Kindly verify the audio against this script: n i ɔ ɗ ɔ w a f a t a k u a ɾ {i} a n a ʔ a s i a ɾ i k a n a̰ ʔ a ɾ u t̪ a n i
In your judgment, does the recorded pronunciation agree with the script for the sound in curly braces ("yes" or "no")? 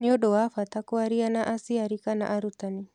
yes